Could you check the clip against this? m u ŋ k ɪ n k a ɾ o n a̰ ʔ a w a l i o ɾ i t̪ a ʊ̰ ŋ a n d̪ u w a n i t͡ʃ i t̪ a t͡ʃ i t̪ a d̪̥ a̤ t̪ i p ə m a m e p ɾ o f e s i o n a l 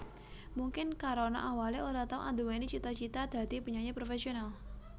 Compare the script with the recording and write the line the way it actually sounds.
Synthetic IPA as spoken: m u ŋ k ɪ n k a ɾ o n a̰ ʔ a w a l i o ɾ a t̪ a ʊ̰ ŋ a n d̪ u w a n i t͡ʃ i t̪ a t͡ʃ i t̪ a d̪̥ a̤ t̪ i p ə ɲ a ɲ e p ɾ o f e s i o n a l